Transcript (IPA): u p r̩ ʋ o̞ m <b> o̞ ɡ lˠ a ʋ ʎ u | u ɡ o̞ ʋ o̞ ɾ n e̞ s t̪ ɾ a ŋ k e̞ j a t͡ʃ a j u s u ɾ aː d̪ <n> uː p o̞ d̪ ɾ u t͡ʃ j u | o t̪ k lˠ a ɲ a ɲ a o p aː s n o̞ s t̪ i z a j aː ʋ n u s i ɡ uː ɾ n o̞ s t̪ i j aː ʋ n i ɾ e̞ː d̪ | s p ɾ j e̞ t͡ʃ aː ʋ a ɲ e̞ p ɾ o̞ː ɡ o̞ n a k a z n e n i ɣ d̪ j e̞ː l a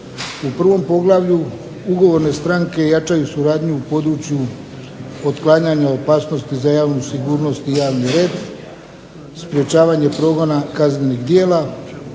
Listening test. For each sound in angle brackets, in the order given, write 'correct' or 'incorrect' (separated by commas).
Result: incorrect, incorrect